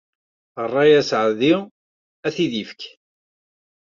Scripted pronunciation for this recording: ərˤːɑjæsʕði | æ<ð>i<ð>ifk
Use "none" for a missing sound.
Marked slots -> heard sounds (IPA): θ, ð

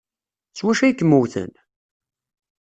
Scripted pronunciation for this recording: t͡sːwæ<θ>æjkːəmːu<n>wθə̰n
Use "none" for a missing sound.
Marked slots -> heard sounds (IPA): ʃ, none

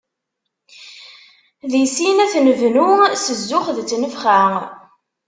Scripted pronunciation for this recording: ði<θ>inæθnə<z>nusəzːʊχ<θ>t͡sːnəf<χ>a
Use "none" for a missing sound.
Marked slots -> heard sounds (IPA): s, v, ð, χ

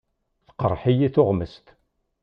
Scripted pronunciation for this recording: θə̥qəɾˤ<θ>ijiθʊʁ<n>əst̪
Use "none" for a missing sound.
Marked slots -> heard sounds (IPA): ħ, m

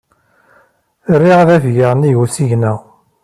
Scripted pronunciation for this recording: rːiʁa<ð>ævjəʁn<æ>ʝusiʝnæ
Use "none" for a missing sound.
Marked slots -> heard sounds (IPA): ð, i

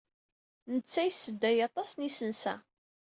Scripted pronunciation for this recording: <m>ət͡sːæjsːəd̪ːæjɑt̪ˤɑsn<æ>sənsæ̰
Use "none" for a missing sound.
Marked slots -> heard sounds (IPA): n, i

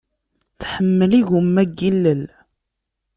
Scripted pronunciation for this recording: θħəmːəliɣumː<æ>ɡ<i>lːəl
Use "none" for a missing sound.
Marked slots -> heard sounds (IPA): æ, i

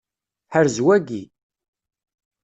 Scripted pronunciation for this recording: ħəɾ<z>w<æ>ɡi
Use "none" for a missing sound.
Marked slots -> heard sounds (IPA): z, æ

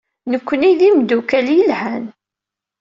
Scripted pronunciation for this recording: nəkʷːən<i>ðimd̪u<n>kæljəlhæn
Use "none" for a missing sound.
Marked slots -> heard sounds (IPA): i, none

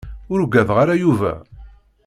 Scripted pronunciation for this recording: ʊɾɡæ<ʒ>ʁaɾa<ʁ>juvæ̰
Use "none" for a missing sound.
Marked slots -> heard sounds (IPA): ð, none

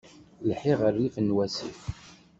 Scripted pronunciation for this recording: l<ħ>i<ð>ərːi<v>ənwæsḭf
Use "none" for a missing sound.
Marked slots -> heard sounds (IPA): ħ, ʁ, f

